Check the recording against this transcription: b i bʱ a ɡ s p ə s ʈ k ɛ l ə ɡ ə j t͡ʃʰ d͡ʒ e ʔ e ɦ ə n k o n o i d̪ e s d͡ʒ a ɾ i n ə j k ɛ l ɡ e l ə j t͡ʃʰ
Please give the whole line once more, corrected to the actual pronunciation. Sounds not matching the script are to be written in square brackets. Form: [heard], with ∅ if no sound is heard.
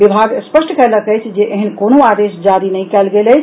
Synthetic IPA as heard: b i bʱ a ɡ s p ə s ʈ k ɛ l ə [k] ə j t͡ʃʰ d͡ʒ e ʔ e ɦ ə n k o n o [a] d̪ e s d͡ʒ a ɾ i n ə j k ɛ l ɡ e l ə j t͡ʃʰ